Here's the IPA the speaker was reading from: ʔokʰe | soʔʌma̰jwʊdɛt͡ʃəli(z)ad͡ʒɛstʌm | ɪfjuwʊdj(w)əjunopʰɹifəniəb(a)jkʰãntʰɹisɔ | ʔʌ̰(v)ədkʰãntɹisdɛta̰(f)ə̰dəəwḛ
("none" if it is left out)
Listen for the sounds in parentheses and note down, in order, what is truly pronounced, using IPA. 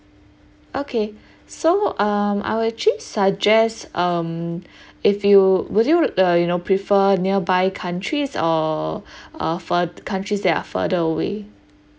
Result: s, u, a, f, f

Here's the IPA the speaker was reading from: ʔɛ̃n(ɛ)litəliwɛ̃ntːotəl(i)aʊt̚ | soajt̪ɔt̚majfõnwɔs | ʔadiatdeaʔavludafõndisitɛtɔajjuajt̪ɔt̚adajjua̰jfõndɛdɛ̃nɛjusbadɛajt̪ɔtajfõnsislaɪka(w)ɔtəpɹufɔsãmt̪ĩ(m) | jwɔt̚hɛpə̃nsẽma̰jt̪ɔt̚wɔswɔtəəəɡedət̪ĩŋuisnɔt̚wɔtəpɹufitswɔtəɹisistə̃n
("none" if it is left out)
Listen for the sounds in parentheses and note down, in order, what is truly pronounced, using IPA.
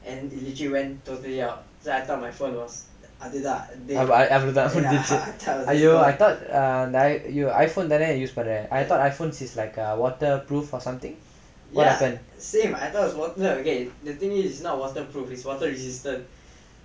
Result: i, i, w, ŋ

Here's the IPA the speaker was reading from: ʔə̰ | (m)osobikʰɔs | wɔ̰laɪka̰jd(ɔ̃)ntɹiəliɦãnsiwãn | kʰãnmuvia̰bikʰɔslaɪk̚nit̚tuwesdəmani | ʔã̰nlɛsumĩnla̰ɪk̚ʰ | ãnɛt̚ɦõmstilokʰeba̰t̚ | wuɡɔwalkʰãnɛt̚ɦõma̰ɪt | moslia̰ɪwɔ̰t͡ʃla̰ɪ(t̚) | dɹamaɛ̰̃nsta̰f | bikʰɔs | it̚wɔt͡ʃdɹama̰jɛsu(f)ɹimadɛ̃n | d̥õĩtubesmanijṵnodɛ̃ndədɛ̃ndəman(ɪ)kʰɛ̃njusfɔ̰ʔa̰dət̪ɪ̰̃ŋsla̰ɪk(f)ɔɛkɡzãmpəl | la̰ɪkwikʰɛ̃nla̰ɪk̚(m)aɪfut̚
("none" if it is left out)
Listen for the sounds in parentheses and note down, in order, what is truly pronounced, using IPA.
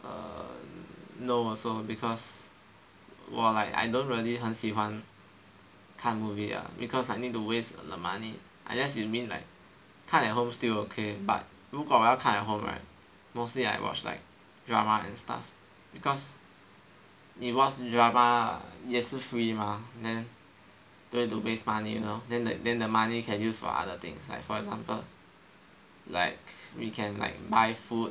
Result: n, õ, k̚, f, i, f, b

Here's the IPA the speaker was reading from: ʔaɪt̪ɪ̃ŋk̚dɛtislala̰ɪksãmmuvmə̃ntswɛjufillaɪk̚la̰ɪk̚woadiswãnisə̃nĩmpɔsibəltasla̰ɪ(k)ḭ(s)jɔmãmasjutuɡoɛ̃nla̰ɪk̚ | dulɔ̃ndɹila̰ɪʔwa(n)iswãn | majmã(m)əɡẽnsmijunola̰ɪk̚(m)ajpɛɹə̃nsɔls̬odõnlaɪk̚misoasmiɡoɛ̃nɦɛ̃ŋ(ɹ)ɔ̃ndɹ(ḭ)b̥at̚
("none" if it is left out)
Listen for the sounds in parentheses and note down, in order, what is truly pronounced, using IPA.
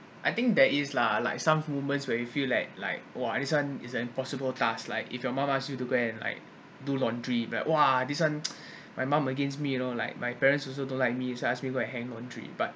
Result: k, f, d, m, m, l, ḭ

